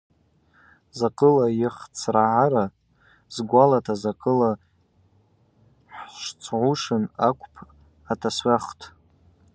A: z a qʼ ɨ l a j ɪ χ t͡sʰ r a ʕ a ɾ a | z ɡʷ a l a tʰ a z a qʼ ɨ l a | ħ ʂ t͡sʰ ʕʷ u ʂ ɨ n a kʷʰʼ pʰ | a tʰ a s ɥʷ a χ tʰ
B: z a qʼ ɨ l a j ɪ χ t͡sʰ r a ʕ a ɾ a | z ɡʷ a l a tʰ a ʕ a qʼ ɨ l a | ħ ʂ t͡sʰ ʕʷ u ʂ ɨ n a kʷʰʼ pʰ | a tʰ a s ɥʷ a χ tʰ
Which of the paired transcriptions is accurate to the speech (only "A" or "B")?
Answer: A